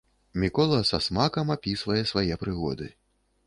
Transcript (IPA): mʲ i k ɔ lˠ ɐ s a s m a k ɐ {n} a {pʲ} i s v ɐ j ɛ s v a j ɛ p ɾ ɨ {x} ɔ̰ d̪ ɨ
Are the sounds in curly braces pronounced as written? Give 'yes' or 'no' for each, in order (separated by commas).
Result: no, yes, no